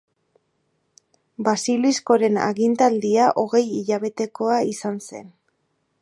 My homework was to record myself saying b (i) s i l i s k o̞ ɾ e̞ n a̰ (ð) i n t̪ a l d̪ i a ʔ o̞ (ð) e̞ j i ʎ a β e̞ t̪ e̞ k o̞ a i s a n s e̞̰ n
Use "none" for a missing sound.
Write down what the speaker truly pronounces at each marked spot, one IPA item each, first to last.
a, ɣ, ɣ

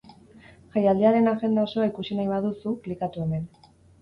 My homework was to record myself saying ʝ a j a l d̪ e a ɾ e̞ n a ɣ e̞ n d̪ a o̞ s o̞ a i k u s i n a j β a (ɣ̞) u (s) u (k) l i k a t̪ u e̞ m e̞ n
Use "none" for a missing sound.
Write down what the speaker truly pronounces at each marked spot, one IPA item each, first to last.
ð̞, s, k

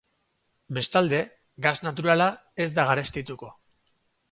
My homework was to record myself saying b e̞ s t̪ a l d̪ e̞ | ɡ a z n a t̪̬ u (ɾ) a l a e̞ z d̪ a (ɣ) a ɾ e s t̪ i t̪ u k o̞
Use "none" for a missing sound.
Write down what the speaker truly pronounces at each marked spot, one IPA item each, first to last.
ɾ, ɣ

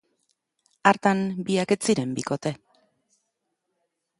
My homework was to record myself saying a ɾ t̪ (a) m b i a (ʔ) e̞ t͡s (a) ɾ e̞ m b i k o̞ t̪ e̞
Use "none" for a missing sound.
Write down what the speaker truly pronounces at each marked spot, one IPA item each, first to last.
a, k, i

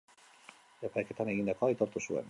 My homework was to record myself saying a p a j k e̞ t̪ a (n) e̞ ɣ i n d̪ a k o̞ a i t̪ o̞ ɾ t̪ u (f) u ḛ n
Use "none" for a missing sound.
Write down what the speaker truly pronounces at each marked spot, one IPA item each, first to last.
n, s

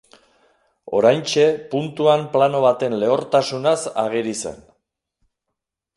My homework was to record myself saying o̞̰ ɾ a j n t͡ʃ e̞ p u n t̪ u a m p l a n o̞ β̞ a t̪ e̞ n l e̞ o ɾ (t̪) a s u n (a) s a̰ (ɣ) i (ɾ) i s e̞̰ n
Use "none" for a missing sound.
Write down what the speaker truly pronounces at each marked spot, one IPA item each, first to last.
t̪, a, ɣ, ɾ

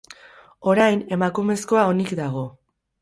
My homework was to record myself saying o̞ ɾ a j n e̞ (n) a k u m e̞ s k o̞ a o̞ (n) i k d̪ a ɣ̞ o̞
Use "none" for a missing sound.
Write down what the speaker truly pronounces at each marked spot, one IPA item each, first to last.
m, n

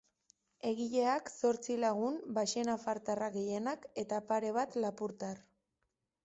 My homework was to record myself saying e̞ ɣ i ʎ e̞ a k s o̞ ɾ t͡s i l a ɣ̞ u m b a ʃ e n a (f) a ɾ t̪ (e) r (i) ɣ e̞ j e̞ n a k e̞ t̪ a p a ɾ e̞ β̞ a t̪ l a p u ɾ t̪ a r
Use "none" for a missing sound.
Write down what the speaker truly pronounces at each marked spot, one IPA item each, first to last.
f, a, a

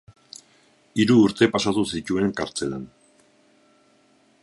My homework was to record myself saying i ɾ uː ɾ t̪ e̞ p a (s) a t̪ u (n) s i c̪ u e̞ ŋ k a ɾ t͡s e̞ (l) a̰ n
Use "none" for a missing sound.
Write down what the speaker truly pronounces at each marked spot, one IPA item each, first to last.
s, none, l

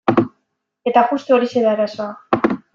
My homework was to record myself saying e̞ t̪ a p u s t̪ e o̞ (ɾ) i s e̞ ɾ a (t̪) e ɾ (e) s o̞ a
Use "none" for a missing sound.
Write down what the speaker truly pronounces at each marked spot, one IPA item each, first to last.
ɾ, none, a

